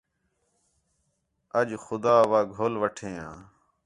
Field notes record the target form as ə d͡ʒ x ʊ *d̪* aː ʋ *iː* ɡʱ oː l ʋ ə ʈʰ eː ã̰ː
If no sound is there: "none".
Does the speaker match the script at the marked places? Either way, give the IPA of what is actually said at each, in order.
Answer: d̪, aː

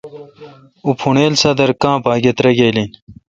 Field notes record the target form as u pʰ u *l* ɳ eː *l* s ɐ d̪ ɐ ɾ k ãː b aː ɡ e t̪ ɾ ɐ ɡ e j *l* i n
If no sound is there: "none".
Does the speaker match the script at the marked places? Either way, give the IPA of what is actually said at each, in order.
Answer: none, l, l

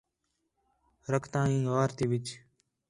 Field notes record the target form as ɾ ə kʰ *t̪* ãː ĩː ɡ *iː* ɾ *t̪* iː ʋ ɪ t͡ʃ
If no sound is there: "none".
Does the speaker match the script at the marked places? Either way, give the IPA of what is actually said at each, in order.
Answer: t̪, aː, t̪

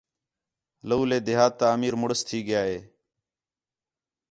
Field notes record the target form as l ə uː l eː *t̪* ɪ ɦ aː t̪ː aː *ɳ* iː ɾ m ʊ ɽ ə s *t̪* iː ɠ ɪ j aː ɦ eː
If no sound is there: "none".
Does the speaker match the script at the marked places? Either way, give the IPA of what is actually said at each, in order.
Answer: d̪, m, t̪ʰ

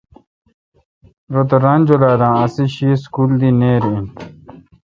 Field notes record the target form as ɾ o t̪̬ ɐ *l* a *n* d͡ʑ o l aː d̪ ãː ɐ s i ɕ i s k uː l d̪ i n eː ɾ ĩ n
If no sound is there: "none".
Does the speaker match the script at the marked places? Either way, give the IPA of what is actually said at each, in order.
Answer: ɾ, n

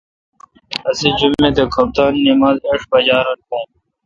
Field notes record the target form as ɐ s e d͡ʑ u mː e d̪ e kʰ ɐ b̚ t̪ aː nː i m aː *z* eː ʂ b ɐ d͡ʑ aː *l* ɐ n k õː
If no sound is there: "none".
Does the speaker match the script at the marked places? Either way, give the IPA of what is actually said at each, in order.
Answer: z, ɾ

